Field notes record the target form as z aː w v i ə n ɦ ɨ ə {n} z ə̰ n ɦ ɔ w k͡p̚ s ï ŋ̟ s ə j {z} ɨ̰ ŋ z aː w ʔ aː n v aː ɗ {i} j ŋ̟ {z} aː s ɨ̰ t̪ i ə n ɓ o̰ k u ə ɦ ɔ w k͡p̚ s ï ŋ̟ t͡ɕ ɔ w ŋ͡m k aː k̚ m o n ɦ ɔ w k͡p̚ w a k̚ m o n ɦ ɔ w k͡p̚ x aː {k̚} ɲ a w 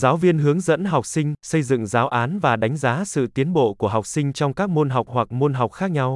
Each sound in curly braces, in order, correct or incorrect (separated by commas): incorrect, correct, incorrect, correct, correct